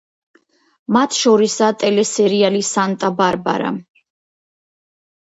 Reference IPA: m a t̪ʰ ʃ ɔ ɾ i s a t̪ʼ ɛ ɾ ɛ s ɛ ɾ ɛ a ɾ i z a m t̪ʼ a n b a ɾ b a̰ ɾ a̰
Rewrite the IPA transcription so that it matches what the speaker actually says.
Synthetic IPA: m a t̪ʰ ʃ ɔ ɾ i s a t̪ʼ ɛ l ɛ s ɛ ɾ i a l i s a n t̪ʼ a b a ɾ b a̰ ɾ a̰

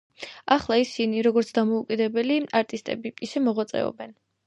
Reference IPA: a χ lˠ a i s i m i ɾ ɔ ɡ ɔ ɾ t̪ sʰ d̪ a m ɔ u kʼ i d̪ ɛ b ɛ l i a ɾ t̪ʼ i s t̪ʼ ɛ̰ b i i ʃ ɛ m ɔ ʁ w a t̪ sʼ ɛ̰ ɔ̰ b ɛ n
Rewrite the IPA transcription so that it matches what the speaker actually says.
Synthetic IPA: a χ lˠ a i s i n i ɾ ɔ ɡ ɔ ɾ t̪ sʰ d̪ a m ɔ u kʼ i d̪ ɛ b ɛ l i a ɾ t̪ʼ i s t̪ʼ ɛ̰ b i i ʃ ɛ m ɔ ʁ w a t̪ sʼ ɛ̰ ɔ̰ b ɛ n

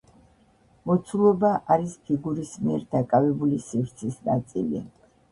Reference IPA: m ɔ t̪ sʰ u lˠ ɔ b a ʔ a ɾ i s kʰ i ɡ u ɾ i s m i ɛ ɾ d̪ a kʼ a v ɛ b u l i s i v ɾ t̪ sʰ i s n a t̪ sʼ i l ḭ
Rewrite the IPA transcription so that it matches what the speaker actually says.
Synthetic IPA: m ɔ t̪ sʰ u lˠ ɔ b a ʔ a ɾ i s pʰ i ɡ u ɾ i s m i ɛ ɾ d̪ a kʼ a v ɛ b u l i s i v ɾ t̪ sʰ i s n a t̪ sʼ i l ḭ

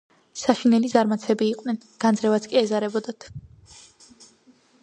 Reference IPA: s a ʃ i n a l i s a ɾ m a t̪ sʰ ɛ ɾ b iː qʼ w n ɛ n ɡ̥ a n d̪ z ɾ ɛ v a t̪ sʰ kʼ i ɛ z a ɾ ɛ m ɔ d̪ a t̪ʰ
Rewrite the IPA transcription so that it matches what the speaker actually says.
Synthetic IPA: s a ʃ i n ɛ l i z a ɾ m a t̪ sʰ ɛ b iː qʼ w n ɛ n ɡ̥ a n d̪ z ɾ ɛ v a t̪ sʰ kʼ i ɛ z a ɾ ɛ b ɔ d̪ a t̪ʰ

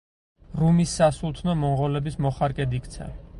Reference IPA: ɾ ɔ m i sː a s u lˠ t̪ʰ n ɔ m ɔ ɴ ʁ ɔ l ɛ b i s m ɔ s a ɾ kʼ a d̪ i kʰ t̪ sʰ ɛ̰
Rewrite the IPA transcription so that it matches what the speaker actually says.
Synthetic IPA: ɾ u m i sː a s u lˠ t̪ʰ n ɔ m ɔ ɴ ʁ ɔ l ɛ b i s m ɔ χ a ɾ kʼ ɛ d̪ i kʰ t̪ sʰ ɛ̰

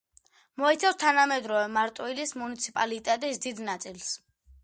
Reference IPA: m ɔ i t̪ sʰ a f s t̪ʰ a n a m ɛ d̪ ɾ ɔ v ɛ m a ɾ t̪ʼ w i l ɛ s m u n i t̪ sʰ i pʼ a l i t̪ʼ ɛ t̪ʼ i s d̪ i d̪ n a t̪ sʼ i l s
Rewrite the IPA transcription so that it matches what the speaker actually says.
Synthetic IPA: m ɔ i t̪ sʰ a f s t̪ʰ a n a m ɛ d̪ ɾ ɔ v ɛ m a ɾ t̪ʼ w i l i s m u n i t̪ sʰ i pʼ a l i t̪ʼ ɛ t̪ʼ i s d̪ i d̪ n a t̪ sʼ i l s

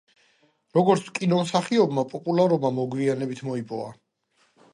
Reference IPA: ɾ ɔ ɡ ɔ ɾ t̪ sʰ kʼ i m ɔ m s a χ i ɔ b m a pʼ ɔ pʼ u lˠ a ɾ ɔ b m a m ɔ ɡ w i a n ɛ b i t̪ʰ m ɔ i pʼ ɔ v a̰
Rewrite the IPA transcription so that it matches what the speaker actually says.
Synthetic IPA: ɾ ɔ ɡ ɔ ɾ t̪ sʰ kʼ i n ɔ m s a χ i ɔ b m a pʼ ɔ pʼ u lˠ a ɾ ɔ b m a m ɔ ɡ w i a n ɛ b i t̪ʰ m ɔ i pʼ ɔ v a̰

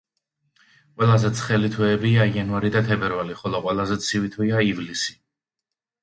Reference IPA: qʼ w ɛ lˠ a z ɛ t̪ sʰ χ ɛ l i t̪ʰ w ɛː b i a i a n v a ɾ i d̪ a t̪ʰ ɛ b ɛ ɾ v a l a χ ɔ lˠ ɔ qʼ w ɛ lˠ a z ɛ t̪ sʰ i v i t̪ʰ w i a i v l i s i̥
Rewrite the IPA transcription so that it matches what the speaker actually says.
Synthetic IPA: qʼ w ɛ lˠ a z ɛ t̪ sʰ χ ɛ l i t̪ʰ w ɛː b i a i a n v a ɾ i d̪ a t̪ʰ ɛ b ɛ ɾ v a l i χ ɔ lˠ ɔ qʼ w ɛ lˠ a z ɛ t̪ sʰ i v i t̪ʰ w i a i v l i s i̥

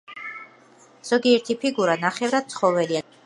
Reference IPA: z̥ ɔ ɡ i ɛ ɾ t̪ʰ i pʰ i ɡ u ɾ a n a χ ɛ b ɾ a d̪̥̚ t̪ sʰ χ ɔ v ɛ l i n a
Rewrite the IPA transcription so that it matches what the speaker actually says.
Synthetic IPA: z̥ ɔ ɡ i ɛ ɾ t̪ʰ i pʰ i ɡ u ɾ a n a χ ɛ v ɾ a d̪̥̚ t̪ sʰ χ ɔ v ɛ l i a

